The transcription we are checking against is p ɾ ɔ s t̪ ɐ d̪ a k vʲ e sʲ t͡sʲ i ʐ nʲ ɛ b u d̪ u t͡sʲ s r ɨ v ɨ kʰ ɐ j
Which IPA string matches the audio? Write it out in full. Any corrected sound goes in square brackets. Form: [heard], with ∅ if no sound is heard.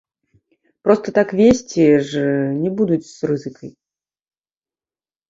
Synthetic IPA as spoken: p ɾ ɔ s t̪ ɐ [t̪] a k vʲ e sʲ t͡sʲ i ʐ nʲ ɛ b u d̪ u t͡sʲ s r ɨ [z] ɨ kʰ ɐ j